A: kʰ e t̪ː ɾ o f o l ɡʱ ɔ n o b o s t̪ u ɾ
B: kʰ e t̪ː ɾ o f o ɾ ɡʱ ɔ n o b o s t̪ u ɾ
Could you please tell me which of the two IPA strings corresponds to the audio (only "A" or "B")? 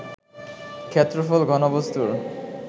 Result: A